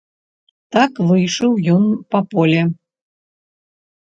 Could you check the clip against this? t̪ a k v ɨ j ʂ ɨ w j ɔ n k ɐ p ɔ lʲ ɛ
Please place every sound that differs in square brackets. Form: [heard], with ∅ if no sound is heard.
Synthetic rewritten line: t̪ a k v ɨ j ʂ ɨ w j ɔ n [p] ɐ p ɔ lʲ ɛ